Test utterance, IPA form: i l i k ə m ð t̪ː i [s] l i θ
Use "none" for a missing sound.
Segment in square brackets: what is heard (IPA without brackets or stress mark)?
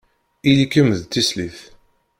s